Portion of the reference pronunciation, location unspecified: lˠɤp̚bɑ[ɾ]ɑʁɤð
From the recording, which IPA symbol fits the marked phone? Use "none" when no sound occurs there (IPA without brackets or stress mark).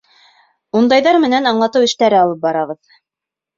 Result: ɾ